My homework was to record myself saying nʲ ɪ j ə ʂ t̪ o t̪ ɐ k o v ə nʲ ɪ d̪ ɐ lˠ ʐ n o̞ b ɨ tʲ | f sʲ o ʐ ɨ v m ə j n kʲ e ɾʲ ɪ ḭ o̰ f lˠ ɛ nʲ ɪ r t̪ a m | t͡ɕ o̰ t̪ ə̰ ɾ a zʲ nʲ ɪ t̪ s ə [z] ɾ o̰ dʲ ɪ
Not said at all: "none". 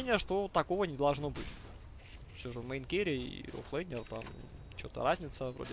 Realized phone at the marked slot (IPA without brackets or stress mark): v